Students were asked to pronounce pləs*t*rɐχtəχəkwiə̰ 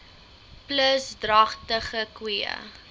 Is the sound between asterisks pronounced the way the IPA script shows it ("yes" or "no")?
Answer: no